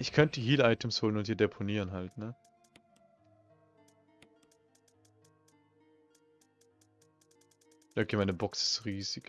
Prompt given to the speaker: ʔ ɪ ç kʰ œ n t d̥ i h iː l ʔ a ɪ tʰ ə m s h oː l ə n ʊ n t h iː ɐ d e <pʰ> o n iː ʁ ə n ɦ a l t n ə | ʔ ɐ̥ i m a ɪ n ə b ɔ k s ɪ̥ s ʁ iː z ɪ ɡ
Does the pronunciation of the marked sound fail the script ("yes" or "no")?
no